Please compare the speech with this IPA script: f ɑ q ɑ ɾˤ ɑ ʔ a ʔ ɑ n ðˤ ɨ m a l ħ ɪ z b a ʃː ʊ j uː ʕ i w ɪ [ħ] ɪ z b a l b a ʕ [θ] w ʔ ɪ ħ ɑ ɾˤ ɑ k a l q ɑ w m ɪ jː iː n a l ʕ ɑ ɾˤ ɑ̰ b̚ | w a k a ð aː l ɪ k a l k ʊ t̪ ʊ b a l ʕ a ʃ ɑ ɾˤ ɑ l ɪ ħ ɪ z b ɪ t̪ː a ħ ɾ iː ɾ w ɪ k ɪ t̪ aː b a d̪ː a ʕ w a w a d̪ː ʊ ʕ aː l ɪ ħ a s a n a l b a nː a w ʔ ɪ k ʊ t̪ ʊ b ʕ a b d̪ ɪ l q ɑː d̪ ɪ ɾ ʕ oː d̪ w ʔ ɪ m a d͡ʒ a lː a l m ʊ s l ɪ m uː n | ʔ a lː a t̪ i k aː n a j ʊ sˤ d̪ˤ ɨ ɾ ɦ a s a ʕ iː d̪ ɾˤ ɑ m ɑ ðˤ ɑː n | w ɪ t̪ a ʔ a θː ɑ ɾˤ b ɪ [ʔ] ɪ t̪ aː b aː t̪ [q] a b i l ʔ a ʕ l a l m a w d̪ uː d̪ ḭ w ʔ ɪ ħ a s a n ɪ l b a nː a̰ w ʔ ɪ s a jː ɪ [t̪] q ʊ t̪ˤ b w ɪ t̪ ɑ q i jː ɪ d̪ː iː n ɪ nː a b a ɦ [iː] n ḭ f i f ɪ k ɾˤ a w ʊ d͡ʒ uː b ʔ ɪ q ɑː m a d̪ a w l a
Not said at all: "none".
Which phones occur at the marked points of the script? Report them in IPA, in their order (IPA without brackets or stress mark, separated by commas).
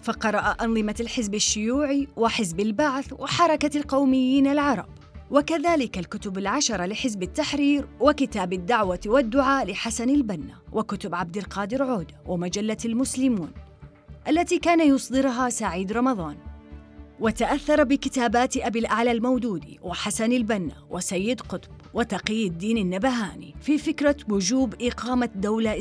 ħ, θ, k, ʔ, d̪, aː